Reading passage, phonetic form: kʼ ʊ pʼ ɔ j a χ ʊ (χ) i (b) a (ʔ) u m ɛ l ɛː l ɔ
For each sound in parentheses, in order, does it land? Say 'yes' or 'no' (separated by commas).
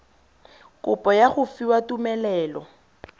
no, no, no